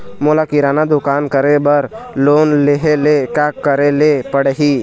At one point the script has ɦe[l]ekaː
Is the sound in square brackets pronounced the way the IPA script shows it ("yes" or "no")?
yes